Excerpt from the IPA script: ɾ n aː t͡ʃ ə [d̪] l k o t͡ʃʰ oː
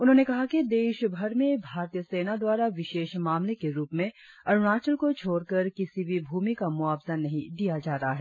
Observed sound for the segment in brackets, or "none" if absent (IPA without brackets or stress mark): none